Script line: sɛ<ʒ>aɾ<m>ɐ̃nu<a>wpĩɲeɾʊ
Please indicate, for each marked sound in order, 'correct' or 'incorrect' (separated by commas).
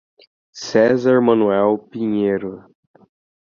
incorrect, correct, incorrect